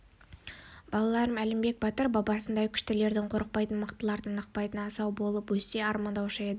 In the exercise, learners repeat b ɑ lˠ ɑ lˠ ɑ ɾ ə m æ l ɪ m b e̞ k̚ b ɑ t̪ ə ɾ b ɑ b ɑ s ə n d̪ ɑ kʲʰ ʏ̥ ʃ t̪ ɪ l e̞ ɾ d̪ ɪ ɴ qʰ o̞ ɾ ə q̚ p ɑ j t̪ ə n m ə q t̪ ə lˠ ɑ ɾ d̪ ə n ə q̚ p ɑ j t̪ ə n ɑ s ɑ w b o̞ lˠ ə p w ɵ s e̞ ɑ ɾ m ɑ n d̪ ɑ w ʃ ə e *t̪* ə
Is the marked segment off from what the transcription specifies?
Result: yes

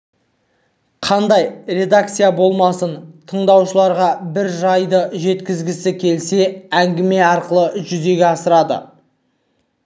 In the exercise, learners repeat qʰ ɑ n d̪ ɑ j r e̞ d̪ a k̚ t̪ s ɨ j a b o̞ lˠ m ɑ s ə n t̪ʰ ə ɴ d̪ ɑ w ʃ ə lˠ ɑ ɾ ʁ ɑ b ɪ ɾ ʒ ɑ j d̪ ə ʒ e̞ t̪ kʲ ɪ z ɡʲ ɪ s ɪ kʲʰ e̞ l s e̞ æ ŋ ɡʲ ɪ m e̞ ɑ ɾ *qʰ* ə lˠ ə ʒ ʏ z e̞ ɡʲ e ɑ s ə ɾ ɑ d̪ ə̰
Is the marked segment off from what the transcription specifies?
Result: yes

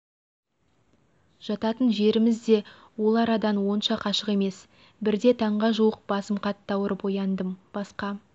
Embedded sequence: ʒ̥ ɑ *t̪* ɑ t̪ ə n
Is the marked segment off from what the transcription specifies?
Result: no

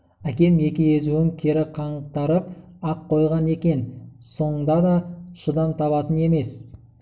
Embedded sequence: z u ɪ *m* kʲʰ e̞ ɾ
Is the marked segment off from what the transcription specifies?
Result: yes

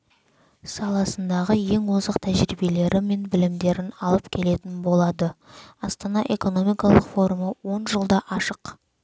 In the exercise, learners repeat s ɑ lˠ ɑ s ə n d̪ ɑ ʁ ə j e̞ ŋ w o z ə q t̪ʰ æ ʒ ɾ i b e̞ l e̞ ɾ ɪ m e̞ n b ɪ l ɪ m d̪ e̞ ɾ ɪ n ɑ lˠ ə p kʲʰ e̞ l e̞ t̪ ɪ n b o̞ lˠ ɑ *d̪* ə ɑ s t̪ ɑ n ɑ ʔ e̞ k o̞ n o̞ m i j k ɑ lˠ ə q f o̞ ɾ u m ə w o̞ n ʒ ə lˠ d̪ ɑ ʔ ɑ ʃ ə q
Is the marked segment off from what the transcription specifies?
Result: no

